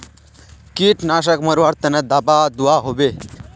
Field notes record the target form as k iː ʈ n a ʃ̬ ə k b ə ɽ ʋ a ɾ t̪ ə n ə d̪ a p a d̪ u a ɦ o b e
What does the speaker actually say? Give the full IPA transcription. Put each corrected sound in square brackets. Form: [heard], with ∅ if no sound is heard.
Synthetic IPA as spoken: k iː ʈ n a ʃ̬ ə k [m] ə [ɾ] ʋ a ɾ t̪ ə n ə d̪ a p a d̪ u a ɦ o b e

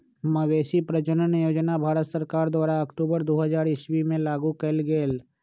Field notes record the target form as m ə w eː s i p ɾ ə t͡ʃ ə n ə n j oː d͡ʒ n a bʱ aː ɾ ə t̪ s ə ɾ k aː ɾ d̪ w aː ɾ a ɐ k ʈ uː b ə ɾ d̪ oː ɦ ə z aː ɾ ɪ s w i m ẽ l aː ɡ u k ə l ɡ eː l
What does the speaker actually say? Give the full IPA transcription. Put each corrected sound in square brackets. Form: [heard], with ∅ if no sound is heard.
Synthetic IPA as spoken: m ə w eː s i p ɾ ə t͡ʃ ə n ə n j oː d͡ʒ n a bʱ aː ɾ ə t̪ s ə ɾ k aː ɾ d̪ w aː ɾ a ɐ k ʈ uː b ə ɾ d̪ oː ɦ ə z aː ɾ ɪ s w i m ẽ l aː ɡ u k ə l ɡ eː l

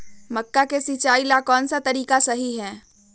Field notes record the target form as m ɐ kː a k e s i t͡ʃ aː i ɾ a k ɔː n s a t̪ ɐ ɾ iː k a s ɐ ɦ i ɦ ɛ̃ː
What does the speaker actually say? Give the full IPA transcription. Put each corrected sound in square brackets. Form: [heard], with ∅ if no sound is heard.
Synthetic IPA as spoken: m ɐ kː a k e s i t͡ʃ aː i [l] a k ɔː n s a t̪ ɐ ɾ iː k a s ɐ ɦ i ɦ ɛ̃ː

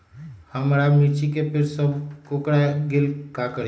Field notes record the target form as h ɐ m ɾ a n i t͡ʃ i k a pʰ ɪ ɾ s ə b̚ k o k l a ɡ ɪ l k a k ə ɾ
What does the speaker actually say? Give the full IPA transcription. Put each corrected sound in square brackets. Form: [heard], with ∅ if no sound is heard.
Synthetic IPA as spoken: h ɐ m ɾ a [m] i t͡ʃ i k [e] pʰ ɪ ɾ s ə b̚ k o k [ɽ] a ɡ ɪ l k a k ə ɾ

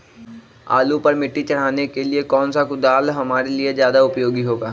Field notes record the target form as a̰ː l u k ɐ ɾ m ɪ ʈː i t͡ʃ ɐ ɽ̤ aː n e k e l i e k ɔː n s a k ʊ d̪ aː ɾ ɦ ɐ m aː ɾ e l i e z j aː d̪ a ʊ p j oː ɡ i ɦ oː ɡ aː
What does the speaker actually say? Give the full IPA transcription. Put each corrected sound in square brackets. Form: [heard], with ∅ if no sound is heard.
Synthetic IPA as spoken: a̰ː l u [p] ɐ ɾ m ɪ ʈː i t͡ʃ ɐ ɽ̤ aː n e k e l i e k ɔː n s a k ʊ d̪ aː [l] ɦ ɐ m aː ɾ e l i e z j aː d̪ a ʊ p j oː ɡ i ɦ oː ɡ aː

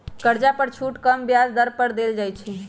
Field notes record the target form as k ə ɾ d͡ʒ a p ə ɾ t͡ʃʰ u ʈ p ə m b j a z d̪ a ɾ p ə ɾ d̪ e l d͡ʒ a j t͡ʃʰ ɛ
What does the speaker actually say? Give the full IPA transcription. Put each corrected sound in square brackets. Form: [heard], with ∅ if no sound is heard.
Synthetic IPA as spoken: k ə ɾ d͡ʒ a p ə ɾ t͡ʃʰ u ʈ [k] ə m b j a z d̪ [ə] ɾ p ə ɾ d̪ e l d͡ʒ a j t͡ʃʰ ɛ

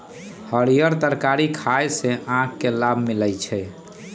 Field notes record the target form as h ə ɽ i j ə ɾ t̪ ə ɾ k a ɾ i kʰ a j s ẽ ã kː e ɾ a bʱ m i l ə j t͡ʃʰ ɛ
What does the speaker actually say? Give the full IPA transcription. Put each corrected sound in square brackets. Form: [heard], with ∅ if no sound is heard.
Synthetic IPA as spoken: h ə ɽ i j ə ɾ t̪ ə ɾ k a ɾ i kʰ a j s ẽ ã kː e [l] a bʱ m i l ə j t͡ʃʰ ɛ

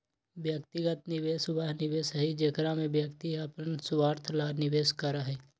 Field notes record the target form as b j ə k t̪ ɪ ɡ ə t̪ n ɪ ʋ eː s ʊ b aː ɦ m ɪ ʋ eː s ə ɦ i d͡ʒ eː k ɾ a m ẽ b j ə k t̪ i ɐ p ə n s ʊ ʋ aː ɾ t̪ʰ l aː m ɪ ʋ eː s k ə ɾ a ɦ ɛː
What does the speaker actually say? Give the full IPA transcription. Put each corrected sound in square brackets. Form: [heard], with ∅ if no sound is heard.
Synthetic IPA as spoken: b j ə k t̪ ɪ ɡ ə t̪ n ɪ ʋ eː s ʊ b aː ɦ [n] ɪ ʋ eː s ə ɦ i d͡ʒ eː k ɾ a m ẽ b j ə k t̪ i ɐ p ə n s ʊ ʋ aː ɾ t̪ʰ l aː [n] ɪ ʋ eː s k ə ɾ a ɦ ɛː

